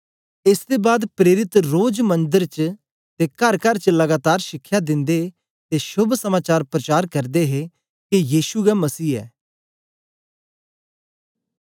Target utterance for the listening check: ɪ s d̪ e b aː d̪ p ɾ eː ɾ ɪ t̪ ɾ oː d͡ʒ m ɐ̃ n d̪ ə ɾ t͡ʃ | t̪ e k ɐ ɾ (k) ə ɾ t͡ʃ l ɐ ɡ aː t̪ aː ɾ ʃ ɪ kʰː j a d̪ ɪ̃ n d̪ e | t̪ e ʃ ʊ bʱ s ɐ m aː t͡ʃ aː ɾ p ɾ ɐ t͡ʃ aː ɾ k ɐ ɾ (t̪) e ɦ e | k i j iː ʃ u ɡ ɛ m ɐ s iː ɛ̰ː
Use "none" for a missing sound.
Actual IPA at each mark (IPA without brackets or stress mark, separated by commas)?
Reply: k, d̪